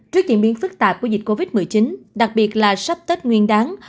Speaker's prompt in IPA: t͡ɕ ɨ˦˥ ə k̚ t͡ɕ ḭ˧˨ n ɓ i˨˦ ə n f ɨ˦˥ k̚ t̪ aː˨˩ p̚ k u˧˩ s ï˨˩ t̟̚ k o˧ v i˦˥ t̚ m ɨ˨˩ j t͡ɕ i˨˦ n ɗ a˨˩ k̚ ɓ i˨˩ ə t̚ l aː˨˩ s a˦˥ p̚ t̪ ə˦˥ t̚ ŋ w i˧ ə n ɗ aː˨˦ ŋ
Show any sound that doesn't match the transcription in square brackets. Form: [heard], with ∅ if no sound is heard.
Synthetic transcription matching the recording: t͡ɕ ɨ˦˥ ə k̚ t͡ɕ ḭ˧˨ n ɓ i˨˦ ə n f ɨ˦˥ k̚ t̪ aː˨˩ p̚ k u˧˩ [z] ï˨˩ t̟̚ k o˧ v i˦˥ t̚ m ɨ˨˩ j t͡ɕ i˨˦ n ɗ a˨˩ k̚ ɓ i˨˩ ə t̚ l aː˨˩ s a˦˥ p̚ t̪ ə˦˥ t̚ ŋ w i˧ ə n ɗ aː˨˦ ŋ